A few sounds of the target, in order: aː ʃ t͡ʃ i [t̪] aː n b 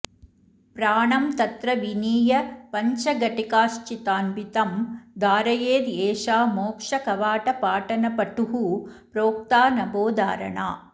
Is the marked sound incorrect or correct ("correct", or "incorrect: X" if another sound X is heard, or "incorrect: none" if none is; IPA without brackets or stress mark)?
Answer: correct